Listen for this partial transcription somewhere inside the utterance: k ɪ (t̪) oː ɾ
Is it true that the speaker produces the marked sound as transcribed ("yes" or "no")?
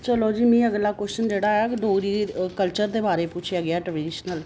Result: no